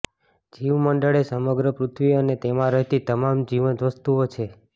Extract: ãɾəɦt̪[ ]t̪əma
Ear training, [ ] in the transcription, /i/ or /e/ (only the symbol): i